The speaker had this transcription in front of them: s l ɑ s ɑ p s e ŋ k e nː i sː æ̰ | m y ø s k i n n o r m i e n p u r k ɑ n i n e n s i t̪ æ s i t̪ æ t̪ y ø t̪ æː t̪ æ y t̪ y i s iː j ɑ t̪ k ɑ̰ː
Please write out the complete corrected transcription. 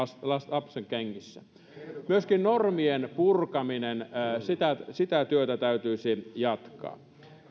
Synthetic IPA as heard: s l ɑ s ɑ p s e ŋ k e ŋː i sː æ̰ | m y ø s k i n n o r m i e n p u r k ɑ m i n e n s i t̪ æ s i t̪ æ t̪ y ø t̪ æ t̪ æ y t̪ y i s i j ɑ t̪ k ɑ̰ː